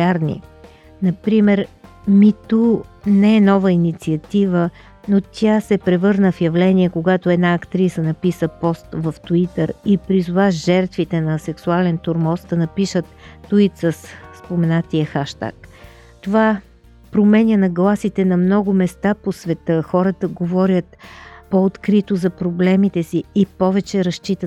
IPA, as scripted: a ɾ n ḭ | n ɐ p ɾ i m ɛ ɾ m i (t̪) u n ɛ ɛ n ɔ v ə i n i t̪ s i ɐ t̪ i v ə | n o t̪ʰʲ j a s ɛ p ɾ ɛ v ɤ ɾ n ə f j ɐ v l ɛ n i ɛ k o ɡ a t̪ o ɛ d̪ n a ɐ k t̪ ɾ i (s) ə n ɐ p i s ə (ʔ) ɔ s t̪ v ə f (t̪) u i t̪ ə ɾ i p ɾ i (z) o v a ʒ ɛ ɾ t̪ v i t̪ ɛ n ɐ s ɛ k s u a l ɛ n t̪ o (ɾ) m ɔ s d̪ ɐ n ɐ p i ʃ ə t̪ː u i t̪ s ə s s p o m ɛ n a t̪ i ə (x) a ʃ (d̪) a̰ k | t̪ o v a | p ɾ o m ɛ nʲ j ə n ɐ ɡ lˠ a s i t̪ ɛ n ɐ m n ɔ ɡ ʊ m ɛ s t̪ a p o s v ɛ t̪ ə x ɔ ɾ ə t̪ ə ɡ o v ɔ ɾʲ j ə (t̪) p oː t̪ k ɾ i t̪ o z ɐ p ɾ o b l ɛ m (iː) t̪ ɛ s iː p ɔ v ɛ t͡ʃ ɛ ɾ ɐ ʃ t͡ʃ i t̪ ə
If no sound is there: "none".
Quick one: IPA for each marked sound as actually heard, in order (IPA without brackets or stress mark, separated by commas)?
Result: t̪, s, p, t̪, z, ɾ, x, t̪, t̪, i